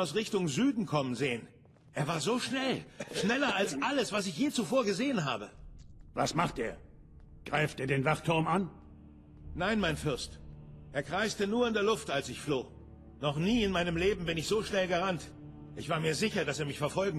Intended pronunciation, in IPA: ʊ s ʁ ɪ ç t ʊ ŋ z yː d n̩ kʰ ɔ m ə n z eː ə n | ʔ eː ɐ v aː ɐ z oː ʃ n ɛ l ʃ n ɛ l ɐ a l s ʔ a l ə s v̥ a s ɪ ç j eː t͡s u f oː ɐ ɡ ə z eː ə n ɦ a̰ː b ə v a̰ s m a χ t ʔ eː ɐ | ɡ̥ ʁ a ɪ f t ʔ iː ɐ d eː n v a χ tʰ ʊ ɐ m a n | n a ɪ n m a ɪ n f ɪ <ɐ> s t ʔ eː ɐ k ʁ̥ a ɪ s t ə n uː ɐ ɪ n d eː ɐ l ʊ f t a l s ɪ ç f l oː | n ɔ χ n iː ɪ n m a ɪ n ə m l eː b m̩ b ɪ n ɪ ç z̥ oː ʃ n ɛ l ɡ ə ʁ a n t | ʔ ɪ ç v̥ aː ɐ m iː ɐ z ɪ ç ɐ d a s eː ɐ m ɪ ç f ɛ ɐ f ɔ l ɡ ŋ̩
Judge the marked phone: correct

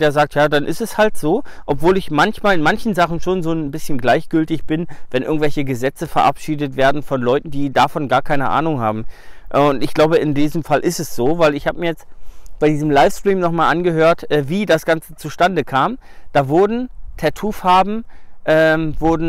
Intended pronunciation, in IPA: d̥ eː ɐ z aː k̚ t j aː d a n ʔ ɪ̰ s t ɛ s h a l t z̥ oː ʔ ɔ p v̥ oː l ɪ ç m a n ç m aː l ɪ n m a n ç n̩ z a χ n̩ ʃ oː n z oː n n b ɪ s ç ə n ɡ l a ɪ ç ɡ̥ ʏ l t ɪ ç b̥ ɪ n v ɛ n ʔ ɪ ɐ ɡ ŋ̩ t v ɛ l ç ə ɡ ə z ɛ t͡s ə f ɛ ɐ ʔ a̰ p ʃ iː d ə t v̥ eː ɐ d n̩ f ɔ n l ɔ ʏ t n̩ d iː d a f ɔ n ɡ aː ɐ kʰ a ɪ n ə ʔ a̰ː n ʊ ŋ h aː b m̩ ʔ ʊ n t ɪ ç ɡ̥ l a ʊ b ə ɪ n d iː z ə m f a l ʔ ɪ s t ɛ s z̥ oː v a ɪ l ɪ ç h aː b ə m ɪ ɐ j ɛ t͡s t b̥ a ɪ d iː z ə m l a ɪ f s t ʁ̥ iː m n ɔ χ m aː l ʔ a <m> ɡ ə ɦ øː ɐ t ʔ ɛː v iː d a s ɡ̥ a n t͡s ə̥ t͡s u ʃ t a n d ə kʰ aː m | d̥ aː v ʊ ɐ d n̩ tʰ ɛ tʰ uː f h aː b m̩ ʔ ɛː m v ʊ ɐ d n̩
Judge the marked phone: incorrect: n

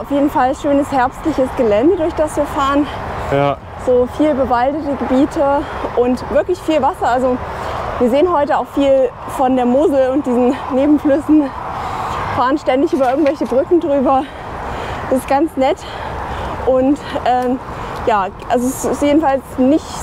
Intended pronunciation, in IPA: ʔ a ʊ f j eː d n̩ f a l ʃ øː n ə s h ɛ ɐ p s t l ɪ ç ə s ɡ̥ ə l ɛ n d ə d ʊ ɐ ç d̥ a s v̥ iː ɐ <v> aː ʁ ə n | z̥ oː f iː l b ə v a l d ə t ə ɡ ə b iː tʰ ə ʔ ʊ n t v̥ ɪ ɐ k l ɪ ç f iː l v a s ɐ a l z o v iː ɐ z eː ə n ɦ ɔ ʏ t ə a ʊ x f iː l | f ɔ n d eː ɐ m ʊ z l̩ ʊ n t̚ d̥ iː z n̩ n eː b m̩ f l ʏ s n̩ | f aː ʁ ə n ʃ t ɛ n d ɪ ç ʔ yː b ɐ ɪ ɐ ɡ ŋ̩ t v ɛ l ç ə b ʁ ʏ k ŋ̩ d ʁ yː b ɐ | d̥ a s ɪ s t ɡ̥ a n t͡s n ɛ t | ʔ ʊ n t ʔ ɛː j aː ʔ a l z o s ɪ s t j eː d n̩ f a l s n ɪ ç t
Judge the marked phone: incorrect: f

